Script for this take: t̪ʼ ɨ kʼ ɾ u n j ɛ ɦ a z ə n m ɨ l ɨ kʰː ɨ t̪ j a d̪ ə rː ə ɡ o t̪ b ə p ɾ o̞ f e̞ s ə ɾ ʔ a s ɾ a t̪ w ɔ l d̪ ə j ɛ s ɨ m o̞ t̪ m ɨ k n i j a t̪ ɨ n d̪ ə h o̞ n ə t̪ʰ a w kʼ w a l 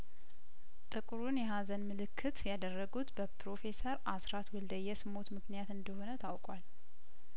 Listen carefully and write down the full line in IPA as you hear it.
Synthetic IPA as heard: t̪ʼ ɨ kʼ ɾ u n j ɛ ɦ a z ə n m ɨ l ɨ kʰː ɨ t̪ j a d̪ ə rː ə ɡ u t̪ b ə p ɾ o̞ f e̞ s ə ɾ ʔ a s ɾ a t̪ w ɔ l d̪ ə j ɛ s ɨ m o̞ t̪ m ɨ k n i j a t̪ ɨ n d̪ ə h o̞ n ə t̪ʰ a w kʼ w a l